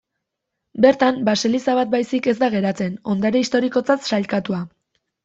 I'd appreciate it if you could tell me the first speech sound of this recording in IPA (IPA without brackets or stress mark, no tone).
b